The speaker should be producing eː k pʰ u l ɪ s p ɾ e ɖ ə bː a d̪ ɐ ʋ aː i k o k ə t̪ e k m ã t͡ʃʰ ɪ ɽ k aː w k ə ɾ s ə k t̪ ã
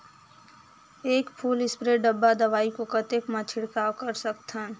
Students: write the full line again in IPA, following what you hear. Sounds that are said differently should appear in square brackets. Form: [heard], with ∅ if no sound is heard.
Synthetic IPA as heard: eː k pʰ [uː] l ɪ s p ɾ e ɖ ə bː a d̪ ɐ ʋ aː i k o k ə t̪ e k m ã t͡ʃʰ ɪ ɽ k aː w k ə ɾ s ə k t̪ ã